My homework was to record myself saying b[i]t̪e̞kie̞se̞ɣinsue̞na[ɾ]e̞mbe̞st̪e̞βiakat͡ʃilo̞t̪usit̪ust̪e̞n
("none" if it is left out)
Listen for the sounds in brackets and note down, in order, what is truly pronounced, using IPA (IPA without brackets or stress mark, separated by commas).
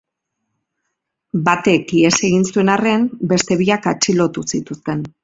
a, r